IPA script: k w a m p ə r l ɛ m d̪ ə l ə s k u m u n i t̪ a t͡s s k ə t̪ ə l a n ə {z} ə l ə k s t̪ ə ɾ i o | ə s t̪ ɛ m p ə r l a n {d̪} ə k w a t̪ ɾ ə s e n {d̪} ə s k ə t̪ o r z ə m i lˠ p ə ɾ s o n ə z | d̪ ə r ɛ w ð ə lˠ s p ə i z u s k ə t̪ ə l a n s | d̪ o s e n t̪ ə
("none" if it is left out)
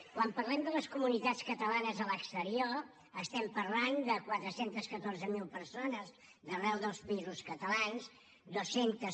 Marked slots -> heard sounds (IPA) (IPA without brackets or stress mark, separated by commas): z, d̪, t̪